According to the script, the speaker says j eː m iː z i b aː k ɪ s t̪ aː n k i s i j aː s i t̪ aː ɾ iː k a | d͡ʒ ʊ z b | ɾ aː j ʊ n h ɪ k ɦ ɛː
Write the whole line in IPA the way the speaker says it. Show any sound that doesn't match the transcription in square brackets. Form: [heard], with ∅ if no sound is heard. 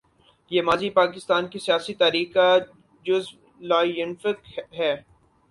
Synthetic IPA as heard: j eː m [aː] z i [p] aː k ɪ s t̪ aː n k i s i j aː s i t̪ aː ɾ iː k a | d͡ʒ ʊ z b | [l] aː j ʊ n [f] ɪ k ɦ ɛː